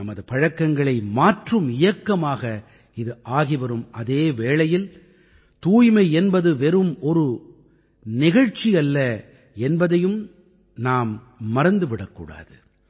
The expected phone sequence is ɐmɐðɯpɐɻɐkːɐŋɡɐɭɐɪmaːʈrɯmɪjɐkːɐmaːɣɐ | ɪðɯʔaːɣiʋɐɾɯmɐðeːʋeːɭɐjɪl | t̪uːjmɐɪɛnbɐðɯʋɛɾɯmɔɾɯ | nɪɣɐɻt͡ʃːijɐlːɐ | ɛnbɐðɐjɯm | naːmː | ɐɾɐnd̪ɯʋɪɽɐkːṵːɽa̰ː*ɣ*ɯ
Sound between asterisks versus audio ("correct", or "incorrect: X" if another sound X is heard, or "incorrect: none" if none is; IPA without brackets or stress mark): incorrect: ð